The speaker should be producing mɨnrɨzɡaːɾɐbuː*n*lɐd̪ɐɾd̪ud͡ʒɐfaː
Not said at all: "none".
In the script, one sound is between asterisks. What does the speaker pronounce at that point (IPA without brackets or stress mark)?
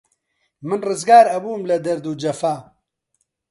m